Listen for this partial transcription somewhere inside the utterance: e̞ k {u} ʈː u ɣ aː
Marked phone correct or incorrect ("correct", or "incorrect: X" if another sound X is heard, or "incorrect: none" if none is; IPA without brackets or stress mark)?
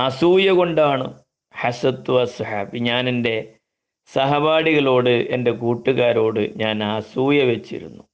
incorrect: uː